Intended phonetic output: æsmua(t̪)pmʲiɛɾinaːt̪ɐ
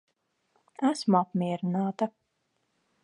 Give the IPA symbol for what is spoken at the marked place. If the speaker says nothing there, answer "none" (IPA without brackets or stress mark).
none